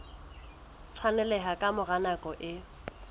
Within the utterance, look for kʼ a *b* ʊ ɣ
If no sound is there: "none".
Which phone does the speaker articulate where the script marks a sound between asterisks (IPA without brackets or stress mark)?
m